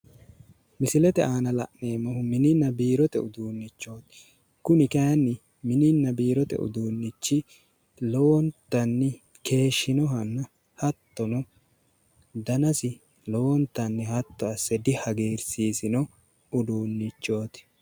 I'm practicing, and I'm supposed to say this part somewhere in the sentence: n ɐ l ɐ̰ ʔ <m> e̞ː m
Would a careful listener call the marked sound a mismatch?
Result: yes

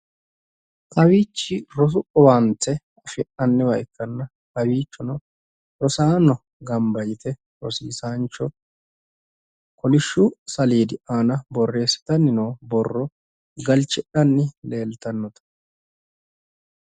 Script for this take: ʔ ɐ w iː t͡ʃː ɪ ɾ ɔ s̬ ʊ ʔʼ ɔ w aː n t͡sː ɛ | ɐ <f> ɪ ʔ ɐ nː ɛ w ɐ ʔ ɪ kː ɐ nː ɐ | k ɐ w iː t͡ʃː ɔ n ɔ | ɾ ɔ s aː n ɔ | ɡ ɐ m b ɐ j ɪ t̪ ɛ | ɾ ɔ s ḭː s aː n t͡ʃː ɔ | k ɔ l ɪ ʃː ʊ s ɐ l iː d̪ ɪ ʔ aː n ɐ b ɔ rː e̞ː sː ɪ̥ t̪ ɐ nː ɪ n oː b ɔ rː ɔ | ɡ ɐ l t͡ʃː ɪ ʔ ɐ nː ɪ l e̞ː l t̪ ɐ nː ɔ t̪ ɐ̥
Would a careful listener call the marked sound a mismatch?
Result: no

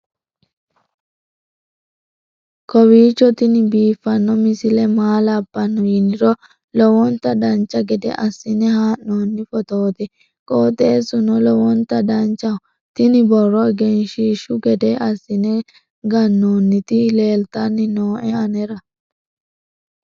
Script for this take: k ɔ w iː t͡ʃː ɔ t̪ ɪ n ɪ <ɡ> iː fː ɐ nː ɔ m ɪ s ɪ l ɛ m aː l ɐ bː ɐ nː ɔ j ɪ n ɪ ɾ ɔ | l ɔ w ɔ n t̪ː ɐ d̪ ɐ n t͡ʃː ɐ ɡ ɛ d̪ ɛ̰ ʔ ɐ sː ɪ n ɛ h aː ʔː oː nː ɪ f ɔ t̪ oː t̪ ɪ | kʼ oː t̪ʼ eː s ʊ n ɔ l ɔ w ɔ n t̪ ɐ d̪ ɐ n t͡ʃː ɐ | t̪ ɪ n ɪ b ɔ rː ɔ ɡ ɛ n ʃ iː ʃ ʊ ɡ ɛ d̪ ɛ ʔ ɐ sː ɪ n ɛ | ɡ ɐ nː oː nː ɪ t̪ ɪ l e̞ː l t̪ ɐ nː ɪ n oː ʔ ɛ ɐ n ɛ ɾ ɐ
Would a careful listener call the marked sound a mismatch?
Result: yes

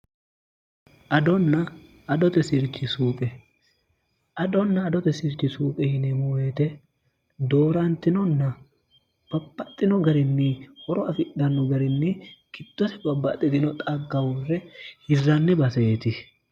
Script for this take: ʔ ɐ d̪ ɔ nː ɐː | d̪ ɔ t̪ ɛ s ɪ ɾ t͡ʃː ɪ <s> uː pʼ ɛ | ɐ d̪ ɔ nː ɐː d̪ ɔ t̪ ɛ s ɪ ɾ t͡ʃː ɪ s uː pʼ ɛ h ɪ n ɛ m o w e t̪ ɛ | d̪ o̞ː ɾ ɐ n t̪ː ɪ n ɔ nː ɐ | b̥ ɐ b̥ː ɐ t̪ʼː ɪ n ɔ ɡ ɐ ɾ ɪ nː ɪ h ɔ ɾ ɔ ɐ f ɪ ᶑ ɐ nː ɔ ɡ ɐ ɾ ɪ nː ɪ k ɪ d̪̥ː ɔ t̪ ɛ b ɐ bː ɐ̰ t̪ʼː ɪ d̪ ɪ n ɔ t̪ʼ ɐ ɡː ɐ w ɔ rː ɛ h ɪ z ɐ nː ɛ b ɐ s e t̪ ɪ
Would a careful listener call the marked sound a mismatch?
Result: no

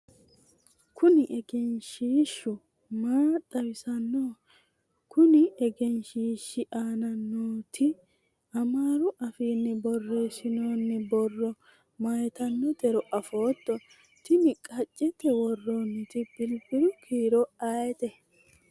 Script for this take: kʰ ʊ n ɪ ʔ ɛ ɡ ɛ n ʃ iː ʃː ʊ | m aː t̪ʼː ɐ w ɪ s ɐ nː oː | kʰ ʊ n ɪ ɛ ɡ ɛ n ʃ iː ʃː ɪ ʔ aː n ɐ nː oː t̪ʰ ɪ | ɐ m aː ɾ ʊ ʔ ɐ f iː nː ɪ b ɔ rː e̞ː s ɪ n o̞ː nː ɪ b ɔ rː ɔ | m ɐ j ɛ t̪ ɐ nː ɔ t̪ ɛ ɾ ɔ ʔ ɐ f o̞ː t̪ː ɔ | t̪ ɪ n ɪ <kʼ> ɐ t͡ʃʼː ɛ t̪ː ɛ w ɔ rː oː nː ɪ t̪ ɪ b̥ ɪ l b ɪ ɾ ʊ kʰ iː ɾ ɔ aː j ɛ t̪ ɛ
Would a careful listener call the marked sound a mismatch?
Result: no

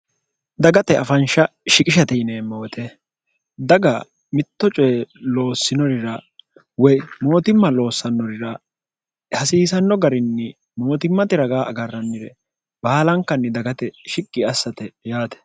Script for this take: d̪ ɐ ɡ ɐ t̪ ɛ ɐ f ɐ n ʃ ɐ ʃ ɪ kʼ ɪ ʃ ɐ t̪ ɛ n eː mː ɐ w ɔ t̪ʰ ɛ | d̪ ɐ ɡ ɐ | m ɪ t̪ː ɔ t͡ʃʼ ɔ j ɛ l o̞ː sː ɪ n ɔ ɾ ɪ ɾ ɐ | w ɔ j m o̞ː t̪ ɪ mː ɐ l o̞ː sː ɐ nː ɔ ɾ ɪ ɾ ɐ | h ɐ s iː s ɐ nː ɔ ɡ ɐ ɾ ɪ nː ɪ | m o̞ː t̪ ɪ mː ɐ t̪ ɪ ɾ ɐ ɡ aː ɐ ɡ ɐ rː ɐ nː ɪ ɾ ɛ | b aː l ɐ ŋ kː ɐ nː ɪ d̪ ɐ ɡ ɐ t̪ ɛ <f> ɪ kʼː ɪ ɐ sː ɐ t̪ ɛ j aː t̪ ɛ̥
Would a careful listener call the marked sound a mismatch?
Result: yes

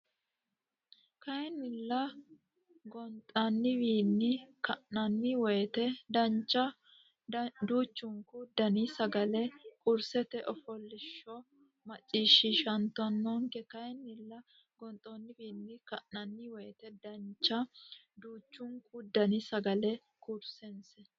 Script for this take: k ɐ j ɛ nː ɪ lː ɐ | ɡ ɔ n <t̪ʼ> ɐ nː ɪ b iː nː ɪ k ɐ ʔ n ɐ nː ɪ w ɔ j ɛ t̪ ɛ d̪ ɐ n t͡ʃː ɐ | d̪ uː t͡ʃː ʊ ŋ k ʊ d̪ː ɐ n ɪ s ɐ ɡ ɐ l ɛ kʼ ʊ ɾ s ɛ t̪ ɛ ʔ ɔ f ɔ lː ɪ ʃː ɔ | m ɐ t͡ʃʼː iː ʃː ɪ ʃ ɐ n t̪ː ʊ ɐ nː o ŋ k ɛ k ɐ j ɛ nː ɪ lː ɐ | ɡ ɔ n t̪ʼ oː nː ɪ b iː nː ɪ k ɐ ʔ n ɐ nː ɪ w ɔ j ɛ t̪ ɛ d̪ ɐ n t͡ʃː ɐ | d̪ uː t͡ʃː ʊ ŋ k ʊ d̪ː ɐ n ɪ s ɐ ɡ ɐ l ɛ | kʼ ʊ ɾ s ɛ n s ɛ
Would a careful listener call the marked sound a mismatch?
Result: no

